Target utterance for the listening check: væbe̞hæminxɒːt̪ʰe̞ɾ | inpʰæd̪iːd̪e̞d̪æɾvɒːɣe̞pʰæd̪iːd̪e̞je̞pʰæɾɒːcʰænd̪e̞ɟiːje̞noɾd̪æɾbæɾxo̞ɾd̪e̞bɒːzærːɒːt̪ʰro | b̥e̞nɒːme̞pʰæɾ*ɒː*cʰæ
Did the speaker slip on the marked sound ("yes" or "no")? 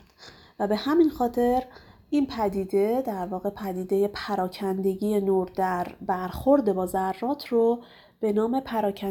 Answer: no